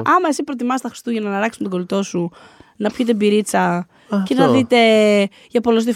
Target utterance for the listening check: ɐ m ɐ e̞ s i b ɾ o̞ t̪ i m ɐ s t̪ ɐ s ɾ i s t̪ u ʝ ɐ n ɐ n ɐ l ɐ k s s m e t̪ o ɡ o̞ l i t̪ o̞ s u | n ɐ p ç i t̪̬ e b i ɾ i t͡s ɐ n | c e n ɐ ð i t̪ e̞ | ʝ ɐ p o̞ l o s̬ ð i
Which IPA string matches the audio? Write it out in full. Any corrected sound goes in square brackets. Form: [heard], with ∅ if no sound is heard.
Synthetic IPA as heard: ɐ m ɐ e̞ s i [p] ɾ o̞ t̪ i m ɐ s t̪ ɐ [x] ɾ i s t̪ u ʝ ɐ n ɐ n ɐ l ɐ k s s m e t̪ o ɡ o̞ l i t̪ o̞ s u | n ɐ p ç i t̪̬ e b i ɾ i t͡s ɐ [∅] | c e n ɐ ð i t̪ e̞ | ʝ ɐ p o̞ l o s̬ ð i